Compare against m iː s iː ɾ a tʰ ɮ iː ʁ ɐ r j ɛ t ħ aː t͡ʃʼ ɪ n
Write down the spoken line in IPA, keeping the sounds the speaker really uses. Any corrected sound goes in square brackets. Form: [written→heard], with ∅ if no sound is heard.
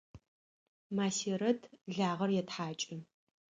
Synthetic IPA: m [iː→aː] s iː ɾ [a→ɐ] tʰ ɮ [iː→aː] ʁ ɐ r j ɛ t ħ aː t͡ʃʼ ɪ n